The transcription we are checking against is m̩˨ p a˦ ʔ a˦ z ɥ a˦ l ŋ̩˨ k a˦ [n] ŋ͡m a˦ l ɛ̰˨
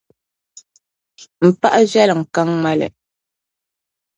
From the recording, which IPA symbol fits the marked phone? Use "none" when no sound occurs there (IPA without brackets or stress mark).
ŋ